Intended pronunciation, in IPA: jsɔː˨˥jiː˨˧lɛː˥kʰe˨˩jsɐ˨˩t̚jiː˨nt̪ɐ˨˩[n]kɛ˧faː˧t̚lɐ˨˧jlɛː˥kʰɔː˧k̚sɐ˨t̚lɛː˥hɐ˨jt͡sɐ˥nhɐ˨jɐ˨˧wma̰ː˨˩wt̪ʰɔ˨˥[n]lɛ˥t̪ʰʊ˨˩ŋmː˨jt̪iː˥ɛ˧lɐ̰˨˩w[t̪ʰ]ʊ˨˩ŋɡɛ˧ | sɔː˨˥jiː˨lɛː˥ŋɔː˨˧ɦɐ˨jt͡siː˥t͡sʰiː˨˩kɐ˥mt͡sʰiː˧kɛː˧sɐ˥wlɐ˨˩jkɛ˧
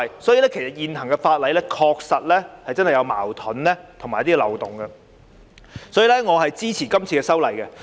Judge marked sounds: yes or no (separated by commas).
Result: no, yes, no